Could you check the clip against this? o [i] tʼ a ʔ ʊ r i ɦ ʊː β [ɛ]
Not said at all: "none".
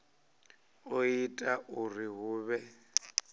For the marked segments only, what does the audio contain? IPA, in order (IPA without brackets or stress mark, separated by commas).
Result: i, ɛ